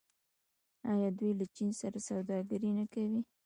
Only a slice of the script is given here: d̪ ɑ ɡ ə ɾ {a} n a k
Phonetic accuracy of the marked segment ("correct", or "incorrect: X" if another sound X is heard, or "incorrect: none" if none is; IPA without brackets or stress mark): incorrect: i